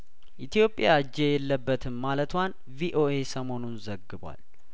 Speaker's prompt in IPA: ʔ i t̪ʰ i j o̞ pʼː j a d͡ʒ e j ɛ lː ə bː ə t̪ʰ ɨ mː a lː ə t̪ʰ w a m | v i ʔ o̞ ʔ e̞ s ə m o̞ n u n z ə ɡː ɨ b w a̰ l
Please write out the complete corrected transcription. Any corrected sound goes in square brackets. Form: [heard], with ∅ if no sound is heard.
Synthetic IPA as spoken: ʔ i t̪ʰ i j o̞ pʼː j a d͡ʒ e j ɛ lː ə bː ə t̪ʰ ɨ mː a [l] ə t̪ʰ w a [n] | v i ʔ o̞ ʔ e̞ s ə m o̞ n u n z ə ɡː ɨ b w a̰ l